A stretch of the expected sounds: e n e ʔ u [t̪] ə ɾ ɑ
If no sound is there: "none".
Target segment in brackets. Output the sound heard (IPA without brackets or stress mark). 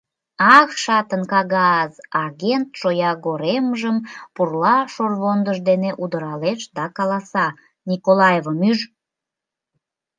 d̪